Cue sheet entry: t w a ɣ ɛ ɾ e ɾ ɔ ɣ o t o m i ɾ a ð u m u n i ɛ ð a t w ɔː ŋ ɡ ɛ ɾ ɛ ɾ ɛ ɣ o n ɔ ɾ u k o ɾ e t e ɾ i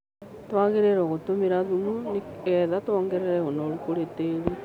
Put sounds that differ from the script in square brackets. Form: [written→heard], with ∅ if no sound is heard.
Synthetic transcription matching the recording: t w a ɣ [ɛ→e] ɾ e ɾ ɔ ɣ o t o m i ɾ a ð u m u n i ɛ ð a t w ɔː ŋ ɡ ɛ ɾ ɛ ɾ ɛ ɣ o n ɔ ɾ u k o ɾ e t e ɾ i